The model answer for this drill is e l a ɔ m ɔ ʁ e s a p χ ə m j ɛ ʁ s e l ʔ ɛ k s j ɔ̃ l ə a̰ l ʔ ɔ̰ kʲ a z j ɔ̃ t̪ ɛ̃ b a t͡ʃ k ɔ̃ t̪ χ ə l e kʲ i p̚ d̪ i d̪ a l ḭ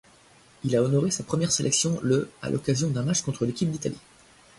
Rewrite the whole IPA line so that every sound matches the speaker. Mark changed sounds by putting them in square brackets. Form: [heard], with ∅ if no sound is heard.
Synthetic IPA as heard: [i] l a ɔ [n] ɔ ʁ e s a p χ ə m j ɛ ʁ s e l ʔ ɛ k s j ɔ̃ l ə a̰ l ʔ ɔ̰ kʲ a z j ɔ̃ [d̪] ɛ̃ [m] a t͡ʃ k ɔ̃ t̪ χ ə l e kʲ i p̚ d̪ i [t̪] a l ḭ